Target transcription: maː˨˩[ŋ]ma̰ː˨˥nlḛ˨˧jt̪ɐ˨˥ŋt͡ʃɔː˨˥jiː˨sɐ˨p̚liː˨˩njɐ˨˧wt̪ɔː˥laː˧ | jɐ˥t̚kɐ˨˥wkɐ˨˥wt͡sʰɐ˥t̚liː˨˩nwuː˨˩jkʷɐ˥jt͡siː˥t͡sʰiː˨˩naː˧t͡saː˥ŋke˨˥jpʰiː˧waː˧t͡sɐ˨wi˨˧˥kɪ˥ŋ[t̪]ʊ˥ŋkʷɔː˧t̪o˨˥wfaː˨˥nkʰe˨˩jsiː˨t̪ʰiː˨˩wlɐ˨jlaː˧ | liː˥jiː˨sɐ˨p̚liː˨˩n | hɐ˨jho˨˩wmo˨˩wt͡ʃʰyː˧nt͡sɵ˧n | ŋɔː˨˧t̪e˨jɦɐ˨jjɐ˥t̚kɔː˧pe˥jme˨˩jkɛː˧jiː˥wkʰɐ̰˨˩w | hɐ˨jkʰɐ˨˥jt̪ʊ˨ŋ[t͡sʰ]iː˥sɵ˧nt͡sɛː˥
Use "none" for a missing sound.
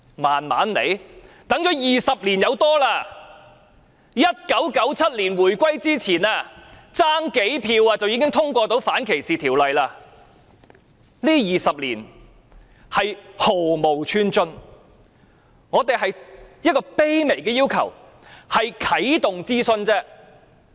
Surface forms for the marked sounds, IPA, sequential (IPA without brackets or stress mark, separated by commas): n, t̪ʰ, t͡s